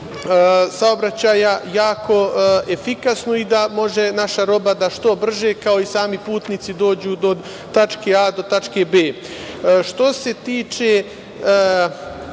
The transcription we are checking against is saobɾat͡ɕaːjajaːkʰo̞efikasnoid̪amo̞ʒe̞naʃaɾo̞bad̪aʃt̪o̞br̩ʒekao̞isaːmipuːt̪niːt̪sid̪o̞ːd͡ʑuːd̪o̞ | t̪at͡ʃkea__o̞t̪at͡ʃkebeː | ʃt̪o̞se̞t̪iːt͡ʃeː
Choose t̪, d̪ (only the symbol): d̪